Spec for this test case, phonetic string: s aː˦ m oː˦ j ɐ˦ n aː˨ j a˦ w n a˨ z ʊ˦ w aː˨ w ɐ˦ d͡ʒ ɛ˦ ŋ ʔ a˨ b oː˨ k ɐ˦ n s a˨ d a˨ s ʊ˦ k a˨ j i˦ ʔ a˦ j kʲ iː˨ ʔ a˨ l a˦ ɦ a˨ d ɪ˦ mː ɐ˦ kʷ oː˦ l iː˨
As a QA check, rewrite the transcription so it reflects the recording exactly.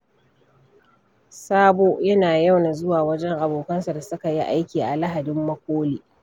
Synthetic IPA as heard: s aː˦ b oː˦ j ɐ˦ n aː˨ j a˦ w n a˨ z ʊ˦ w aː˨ w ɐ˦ d͡ʒ ɛ˦ ŋ ʔ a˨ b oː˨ k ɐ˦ n s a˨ d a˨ s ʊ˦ k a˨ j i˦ ʔ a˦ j kʲ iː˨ ʔ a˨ l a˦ ɦ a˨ d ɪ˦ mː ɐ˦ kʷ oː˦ l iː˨